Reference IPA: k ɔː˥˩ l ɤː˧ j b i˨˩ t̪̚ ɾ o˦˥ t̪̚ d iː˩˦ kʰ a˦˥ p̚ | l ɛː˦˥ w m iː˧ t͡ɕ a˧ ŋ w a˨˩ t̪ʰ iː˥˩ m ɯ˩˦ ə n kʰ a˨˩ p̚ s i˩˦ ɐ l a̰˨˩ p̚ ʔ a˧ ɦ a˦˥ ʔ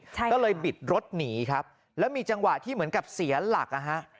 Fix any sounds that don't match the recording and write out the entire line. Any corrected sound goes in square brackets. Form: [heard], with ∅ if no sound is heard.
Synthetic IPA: k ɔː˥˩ l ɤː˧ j b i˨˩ t̪̚ ɾ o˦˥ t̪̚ [n] iː˩˦ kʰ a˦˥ p̚ | l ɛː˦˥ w m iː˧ t͡ɕ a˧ ŋ w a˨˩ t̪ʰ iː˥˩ m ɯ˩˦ ə n [k] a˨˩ p̚ s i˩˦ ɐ l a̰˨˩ [k̚] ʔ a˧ ɦ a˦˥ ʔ